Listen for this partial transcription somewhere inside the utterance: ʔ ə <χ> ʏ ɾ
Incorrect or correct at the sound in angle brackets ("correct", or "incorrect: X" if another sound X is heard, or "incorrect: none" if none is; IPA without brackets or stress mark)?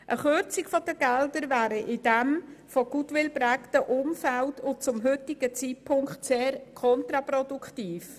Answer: correct